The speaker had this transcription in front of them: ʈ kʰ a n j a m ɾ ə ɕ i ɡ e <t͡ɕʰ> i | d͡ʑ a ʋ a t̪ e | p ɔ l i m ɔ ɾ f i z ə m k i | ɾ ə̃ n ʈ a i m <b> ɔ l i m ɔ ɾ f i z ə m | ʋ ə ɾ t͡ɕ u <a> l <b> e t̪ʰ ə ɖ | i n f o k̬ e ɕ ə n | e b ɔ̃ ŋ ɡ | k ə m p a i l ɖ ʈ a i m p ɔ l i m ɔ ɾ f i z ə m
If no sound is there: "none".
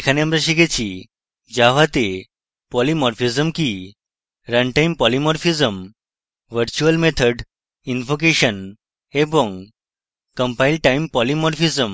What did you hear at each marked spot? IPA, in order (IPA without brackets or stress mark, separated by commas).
t͡ɕ, p, ə, m